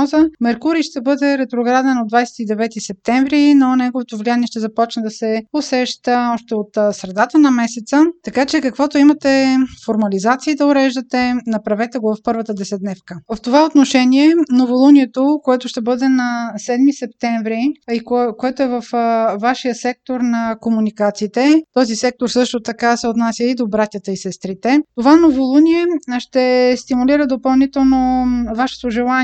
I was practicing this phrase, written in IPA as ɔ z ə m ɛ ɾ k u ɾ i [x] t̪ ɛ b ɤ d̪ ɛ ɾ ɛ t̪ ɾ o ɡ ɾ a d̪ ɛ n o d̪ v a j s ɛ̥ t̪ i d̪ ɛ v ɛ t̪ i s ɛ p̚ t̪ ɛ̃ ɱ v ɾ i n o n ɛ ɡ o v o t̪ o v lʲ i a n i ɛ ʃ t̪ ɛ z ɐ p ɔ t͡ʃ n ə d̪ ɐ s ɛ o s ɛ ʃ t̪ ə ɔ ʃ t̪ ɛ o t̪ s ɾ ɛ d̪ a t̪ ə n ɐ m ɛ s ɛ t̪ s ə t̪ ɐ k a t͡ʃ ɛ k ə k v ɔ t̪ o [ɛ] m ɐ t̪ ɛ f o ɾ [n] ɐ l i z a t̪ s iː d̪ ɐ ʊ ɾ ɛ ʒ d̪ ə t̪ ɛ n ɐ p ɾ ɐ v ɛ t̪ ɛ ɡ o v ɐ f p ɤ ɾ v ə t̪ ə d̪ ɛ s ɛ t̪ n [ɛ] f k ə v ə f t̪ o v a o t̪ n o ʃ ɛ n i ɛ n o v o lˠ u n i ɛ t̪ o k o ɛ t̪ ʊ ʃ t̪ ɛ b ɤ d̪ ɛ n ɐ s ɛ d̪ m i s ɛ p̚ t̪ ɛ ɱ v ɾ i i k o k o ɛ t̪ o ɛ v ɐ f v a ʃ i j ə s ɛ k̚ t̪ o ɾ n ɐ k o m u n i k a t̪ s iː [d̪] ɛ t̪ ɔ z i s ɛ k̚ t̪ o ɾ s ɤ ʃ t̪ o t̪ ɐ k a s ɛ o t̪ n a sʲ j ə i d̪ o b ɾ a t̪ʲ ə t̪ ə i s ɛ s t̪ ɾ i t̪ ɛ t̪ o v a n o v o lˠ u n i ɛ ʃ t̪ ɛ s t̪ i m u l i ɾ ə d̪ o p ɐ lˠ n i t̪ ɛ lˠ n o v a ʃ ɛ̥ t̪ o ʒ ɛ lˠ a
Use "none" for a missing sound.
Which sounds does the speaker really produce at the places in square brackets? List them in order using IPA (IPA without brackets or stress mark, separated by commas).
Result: ʃ, i, m, ɛ, t̪